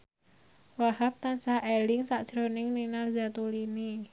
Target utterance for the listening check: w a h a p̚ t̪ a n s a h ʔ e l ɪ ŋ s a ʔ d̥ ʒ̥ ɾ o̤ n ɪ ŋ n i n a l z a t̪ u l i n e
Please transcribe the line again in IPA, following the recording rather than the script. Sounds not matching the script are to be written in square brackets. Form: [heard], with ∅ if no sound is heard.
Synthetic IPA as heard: w a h a p̚ t̪ a n s a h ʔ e l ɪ ŋ s a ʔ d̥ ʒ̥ ɾ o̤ n ɪ ŋ n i n a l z a t̪ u l i n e

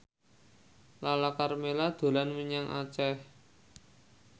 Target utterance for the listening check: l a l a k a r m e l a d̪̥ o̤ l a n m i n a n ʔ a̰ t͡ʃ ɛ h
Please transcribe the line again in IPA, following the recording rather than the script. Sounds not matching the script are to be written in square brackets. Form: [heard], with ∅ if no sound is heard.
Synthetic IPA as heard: l a l a k a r m e l a d̪̥ o̤ l a n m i [ɲ] a [ŋ] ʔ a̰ t͡ʃ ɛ h

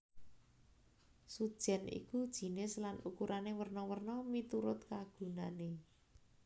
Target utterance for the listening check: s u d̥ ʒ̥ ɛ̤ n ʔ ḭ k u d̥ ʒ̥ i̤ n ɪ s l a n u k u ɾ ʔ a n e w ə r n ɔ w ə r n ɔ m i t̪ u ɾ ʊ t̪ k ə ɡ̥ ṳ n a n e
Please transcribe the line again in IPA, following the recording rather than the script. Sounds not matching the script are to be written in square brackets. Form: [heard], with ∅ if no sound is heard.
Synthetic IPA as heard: s u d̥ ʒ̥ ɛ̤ n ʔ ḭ k u d̥ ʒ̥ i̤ n ɪ s l a n u k u ɾ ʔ a n e w ə r n ɔ w ə r n ɔ m i t̪ u ɾ ʊ t̪ k [a] ɡ̥ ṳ n a n e

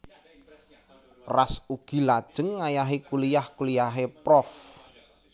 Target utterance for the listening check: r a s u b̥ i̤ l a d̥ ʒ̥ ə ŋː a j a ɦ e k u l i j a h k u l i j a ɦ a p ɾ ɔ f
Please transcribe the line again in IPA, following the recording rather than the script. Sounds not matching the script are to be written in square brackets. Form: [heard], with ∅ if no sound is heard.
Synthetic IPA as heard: r a s u [ɡ̥] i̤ l a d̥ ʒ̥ ə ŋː a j a ɦ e k u l i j a h k u l i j a ɦ [e] p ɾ ɔ f

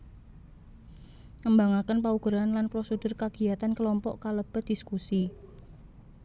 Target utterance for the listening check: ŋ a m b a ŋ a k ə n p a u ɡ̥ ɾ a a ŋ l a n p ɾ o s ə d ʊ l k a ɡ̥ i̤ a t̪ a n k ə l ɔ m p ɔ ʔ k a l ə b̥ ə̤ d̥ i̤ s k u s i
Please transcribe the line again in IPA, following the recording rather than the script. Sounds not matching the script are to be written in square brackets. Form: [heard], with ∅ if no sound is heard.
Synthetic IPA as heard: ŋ [ə] m b a ŋ a k ə n p a u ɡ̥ ɾ a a [n] l a n p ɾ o s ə d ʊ [r] k a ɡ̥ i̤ a t̪ a n k ə l ɔ m p ɔ ʔ k a l ə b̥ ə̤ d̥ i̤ s k u s i

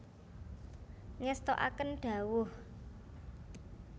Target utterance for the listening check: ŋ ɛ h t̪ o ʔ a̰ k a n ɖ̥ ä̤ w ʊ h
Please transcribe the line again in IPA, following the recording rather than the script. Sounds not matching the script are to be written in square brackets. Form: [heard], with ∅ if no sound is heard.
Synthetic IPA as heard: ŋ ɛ [s] t̪ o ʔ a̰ k [ə] n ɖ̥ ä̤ w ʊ h

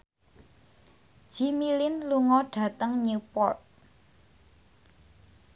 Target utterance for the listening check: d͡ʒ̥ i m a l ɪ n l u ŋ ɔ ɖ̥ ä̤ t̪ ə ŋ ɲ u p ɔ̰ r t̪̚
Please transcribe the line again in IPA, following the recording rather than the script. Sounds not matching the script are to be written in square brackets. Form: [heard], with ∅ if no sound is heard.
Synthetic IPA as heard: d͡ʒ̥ i m [i] l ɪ n l u ŋ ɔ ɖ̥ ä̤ t̪ ə ŋ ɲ u p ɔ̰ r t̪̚

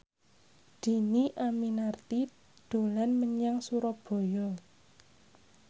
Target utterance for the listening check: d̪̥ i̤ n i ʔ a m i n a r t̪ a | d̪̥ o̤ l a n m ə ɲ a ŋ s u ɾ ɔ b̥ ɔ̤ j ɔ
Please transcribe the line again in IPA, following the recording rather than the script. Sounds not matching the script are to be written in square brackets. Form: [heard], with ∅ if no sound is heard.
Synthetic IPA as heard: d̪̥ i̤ n i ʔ a m i n a r t̪ [i] | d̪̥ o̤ l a n m ə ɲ a ŋ s u ɾ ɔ b̥ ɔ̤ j ɔ

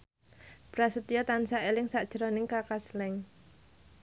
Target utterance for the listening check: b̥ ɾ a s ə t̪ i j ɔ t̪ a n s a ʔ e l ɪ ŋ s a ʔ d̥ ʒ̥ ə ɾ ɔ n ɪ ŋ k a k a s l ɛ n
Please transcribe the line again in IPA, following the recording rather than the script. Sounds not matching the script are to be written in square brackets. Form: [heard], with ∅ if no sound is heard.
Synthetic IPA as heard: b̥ ɾ a s ə t̪ i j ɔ t̪ a n s a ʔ e l ɪ ŋ s a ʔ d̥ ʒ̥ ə ɾ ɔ n ɪ ŋ k a k a s l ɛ [ŋ]

